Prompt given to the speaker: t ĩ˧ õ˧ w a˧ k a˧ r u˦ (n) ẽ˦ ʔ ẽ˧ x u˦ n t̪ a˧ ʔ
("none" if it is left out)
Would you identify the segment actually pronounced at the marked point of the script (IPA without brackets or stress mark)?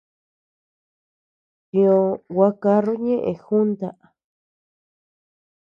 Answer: ɲ